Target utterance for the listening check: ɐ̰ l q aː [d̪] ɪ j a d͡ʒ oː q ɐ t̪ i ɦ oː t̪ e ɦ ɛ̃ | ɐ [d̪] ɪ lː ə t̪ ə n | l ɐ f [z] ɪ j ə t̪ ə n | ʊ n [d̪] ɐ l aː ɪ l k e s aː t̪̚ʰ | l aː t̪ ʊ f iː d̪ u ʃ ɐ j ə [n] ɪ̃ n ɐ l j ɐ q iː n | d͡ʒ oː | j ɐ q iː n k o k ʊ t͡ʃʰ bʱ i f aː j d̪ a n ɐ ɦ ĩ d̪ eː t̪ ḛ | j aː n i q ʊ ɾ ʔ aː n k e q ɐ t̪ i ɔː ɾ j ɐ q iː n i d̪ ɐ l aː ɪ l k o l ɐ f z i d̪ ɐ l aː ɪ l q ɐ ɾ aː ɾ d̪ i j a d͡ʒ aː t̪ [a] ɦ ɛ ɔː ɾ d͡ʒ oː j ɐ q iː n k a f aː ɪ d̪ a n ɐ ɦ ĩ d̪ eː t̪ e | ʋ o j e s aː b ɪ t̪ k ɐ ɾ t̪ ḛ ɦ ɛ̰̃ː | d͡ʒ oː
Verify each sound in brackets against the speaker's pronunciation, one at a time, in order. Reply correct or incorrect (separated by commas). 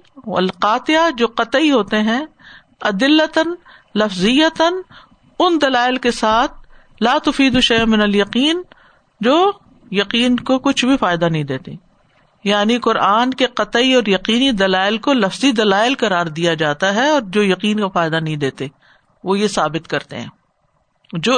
incorrect, correct, correct, correct, incorrect, correct